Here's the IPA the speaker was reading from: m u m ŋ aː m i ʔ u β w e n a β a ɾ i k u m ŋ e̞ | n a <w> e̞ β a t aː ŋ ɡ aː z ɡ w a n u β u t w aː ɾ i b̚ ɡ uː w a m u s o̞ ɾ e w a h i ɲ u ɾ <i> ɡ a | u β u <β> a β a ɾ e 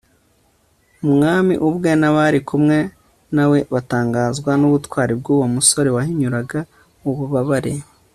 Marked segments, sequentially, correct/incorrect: correct, incorrect, correct

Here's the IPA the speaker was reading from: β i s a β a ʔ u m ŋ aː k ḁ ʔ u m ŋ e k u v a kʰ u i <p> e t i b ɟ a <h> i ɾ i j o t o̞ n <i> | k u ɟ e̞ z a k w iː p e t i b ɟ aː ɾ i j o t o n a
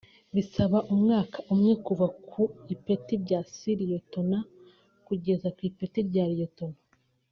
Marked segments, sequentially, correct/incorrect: correct, incorrect, incorrect

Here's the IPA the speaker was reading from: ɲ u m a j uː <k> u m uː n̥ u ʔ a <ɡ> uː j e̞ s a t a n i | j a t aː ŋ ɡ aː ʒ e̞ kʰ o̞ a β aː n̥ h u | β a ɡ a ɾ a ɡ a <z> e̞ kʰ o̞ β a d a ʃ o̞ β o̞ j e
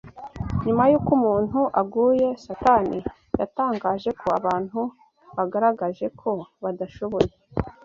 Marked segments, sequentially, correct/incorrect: correct, correct, incorrect

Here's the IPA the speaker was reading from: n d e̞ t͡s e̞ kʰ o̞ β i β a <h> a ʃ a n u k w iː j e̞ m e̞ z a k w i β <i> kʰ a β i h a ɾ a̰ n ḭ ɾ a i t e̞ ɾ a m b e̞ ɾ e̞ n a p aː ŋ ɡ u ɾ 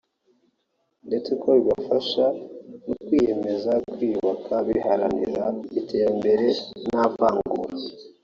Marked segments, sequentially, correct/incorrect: incorrect, incorrect

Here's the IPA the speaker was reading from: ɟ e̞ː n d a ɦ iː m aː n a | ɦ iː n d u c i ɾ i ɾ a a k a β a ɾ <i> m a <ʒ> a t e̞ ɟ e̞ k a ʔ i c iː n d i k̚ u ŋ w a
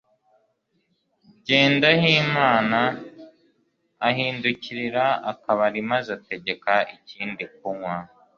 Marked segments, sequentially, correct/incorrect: correct, incorrect

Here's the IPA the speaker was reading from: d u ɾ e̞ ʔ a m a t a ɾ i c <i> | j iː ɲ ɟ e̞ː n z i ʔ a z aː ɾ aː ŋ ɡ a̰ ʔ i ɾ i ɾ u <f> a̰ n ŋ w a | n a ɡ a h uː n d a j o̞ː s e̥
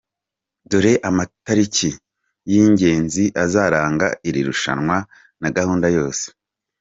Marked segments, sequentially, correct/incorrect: correct, incorrect

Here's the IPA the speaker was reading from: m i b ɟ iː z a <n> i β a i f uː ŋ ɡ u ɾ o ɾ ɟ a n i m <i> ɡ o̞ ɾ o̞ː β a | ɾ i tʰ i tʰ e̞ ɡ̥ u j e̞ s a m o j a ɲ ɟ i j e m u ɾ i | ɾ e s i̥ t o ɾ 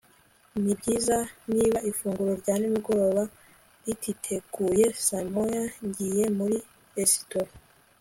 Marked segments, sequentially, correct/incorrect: correct, correct

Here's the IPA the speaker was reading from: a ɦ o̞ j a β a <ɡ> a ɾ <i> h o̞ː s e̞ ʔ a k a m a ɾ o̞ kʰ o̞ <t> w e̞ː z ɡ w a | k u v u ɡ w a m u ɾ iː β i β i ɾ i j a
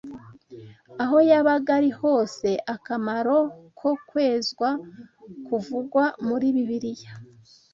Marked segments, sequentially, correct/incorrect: correct, correct, incorrect

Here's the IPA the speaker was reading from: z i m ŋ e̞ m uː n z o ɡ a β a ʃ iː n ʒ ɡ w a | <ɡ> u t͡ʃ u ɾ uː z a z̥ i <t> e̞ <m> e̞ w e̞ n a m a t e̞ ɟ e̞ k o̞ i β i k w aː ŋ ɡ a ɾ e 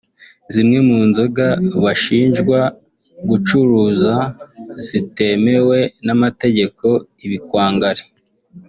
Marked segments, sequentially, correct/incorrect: correct, correct, correct

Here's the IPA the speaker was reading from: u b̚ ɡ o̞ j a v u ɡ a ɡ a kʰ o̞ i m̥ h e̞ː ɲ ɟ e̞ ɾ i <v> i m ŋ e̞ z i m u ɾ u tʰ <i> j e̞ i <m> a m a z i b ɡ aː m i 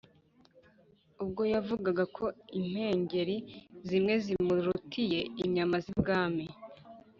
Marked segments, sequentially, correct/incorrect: incorrect, correct, incorrect

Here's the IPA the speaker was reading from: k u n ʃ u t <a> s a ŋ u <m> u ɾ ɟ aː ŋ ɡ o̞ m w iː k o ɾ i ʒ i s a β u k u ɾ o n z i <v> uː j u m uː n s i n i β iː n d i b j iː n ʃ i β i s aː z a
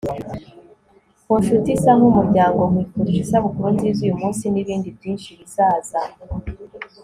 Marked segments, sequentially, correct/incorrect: incorrect, correct, incorrect

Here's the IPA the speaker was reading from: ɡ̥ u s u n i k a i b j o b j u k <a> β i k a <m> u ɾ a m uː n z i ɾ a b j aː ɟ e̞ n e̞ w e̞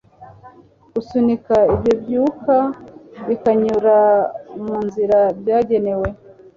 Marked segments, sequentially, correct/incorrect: correct, incorrect

